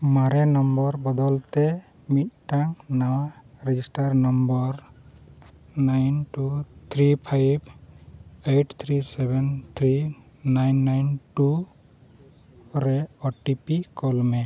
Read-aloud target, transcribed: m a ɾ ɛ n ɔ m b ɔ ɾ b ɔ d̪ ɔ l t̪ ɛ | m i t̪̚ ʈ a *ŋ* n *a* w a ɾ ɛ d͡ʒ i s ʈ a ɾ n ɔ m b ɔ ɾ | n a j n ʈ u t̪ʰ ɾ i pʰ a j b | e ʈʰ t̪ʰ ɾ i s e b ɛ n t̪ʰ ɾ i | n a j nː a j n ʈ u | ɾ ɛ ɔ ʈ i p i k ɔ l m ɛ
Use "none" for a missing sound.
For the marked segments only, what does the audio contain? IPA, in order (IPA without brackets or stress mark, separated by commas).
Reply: ŋ, a